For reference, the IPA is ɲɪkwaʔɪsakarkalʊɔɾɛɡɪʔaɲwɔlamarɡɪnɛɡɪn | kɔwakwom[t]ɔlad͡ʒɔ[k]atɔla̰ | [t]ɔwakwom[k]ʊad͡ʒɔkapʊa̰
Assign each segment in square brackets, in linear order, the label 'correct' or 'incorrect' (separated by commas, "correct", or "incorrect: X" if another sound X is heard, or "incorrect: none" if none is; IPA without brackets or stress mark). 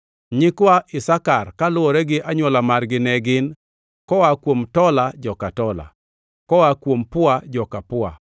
correct, correct, incorrect: k, incorrect: p